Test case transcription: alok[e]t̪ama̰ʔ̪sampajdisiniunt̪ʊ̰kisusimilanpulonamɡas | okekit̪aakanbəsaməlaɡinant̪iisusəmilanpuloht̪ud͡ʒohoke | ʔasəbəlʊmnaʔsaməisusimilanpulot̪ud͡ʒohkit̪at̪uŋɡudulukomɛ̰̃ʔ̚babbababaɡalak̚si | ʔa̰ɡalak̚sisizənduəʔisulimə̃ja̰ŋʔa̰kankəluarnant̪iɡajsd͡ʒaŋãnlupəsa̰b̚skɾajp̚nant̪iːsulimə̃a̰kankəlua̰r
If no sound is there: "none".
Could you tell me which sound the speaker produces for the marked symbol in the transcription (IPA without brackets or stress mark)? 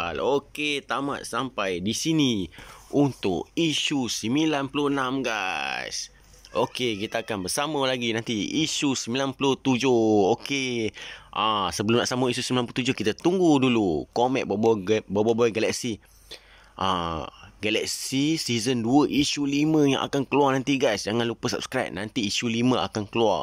e